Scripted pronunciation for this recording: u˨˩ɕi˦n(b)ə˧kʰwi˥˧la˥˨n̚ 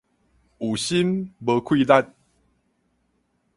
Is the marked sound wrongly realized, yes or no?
no